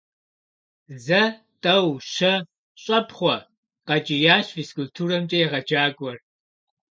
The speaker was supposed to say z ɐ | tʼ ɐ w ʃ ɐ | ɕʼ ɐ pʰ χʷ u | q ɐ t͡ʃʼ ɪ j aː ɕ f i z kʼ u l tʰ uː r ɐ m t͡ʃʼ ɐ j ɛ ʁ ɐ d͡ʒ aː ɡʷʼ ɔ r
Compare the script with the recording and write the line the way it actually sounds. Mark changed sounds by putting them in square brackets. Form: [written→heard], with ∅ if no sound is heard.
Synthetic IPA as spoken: z ɐ | tʼ ɐ w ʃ ɐ | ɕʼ ɐ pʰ χʷ [u→ɔ] | q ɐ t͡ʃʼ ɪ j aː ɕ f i [z→s] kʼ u l tʰ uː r ɐ m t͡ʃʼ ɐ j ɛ ʁ ɐ d͡ʒ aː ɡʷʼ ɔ r

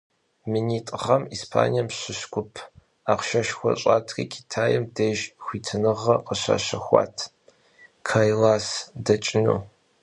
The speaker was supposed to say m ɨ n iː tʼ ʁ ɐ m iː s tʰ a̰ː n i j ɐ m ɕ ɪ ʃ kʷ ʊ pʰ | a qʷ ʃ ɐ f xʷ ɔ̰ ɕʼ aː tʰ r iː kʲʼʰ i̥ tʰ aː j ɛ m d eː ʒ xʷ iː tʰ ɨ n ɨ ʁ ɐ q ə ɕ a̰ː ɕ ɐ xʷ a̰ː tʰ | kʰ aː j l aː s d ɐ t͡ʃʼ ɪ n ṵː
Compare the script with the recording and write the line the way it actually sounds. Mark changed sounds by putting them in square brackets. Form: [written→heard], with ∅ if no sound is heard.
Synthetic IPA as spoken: m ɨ n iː tʼ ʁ ɐ m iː s [tʰ→pʰ] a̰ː n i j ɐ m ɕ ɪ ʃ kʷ ʊ pʰ | a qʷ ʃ ɐ [f→ʃ] xʷ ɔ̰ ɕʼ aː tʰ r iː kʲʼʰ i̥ tʰ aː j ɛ m d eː ʒ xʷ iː tʰ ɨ n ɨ ʁ ɐ q ə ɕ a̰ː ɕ ɐ xʷ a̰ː tʰ | kʰ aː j l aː s d ɐ t͡ʃʼ ɪ n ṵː

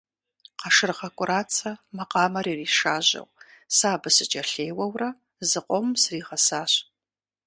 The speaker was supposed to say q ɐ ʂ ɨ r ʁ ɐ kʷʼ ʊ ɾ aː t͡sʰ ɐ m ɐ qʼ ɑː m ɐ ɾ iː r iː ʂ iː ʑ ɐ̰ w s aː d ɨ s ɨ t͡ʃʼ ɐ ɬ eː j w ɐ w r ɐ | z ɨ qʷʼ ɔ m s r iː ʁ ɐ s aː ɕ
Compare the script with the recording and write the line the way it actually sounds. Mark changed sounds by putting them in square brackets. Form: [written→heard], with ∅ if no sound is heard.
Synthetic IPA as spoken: q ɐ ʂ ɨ r ʁ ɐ kʷʼ ʊ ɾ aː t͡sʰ ɐ m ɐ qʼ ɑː m ɐ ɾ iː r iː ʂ [iː→aː] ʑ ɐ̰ w s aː [d→b] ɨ s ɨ t͡ʃʼ ɐ ɬ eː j w ɐ w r ɐ | z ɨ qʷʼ ɔ m s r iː ʁ ɐ s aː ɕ

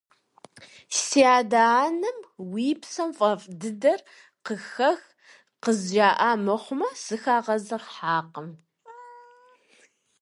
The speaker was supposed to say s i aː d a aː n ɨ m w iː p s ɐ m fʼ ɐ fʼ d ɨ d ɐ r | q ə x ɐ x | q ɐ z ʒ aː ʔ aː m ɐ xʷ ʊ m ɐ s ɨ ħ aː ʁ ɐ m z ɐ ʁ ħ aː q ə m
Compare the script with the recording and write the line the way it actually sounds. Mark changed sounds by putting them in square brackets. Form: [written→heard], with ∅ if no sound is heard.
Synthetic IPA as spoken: s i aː d a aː n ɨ m w iː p s ɐ m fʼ ɐ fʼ d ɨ d ɐ r | q ə x ɐ x | q [ɐ→ə] z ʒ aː ʔ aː m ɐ [xʷ→χʷ] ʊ m ɐ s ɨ [ħ→x] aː ʁ ɐ [m→∅] z ɐ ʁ ħ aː q ə m

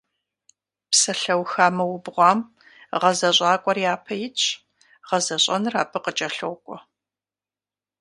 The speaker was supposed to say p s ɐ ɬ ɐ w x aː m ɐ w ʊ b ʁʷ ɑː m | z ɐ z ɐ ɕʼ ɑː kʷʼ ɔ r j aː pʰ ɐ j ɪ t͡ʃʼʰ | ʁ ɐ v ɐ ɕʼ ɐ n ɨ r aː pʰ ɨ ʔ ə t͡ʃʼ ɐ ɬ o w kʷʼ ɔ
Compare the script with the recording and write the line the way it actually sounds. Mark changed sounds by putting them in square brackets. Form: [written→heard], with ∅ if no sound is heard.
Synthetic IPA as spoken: p s ɐ ɬ ɐ w x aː m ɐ w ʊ b ʁʷ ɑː m | [z→ʁ] ɐ z ɐ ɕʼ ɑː kʷʼ ɔ r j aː pʰ ɐ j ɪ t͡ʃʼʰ | ʁ ɐ [v→z] ɐ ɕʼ ɐ n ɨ r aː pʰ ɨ [ʔ→q] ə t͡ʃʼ ɐ ɬ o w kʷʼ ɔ

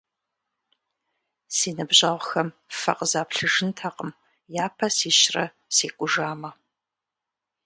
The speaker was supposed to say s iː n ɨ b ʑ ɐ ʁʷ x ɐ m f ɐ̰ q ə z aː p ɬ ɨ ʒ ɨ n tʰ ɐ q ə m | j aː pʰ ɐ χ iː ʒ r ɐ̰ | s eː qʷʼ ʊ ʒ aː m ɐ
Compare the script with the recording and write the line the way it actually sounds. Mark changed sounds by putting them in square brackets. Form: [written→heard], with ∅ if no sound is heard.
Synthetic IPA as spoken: s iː n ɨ b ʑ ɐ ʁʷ x ɐ m f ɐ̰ q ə z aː p ɬ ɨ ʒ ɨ n tʰ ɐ q ə m | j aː pʰ ɐ [χ→s] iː [ʒ→ʃ] r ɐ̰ | s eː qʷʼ ʊ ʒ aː m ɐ

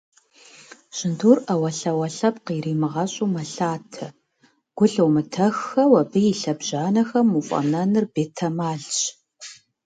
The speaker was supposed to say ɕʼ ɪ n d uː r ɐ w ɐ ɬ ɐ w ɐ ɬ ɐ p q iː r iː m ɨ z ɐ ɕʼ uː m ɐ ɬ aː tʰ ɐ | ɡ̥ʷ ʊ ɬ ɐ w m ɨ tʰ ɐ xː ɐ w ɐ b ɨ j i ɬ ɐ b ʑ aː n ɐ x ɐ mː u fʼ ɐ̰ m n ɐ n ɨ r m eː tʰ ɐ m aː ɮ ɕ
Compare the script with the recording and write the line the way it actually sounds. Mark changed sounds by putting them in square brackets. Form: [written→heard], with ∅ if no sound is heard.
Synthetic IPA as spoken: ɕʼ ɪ n d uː r ɐ w ɐ ɬ ɐ w ɐ ɬ ɐ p q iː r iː m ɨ [z→ʁ] ɐ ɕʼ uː m ɐ ɬ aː tʰ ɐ | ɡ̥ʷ ʊ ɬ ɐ w m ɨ tʰ ɐ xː ɐ w ɐ b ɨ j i ɬ ɐ b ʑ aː n ɐ x ɐ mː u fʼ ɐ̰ m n ɐ n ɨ r [m→b] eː tʰ ɐ m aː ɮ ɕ

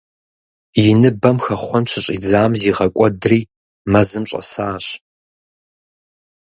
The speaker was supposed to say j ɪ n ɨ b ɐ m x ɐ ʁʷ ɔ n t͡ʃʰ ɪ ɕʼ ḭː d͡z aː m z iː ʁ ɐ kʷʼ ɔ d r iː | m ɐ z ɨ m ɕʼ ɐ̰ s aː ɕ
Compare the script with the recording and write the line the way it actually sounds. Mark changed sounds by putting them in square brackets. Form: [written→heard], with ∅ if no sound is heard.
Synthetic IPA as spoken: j ɪ n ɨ b ɐ m x ɐ [ʁʷ→χʷ] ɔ n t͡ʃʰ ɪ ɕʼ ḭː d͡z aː m z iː ʁ ɐ kʷʼ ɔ d r iː | m ɐ z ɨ m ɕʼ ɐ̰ s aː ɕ

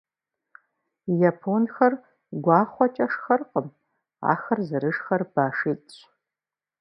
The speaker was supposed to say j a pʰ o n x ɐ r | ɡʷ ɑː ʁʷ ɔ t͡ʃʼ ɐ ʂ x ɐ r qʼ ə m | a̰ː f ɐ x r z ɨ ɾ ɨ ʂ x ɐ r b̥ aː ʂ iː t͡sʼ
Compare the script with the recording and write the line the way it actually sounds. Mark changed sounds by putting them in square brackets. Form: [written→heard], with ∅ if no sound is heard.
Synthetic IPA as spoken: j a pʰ o n x ɐ r | ɡʷ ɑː [ʁʷ→χʷ] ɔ t͡ʃʼ ɐ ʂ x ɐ r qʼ ə m | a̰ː [f→x] ɐ [x→∅] r z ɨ ɾ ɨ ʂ x ɐ r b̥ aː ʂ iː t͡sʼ

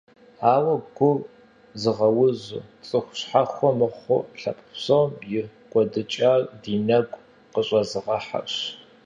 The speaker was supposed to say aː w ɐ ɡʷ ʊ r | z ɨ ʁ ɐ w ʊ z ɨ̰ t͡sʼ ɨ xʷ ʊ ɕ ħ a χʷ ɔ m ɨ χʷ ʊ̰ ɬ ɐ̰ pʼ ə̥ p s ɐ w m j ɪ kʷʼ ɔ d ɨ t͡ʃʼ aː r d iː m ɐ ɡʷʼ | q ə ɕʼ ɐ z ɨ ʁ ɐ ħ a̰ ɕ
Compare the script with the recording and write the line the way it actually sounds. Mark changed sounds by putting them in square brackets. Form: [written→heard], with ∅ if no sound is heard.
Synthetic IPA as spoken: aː w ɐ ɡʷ ʊ r | z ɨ ʁ ɐ w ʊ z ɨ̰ t͡sʼ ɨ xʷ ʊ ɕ ħ a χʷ ɔ m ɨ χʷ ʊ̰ ɬ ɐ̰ pʼ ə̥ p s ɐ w m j ɪ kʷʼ ɔ d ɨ t͡ʃʼ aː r d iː [m→n] ɐ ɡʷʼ | q ə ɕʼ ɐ z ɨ ʁ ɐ ħ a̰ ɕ

